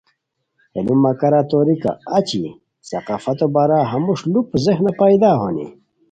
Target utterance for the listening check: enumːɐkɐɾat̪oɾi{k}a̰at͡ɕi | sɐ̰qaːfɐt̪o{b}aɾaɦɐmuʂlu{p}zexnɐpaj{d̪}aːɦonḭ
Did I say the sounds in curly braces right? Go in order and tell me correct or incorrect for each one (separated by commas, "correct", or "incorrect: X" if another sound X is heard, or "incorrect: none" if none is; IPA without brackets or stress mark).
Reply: correct, correct, correct, correct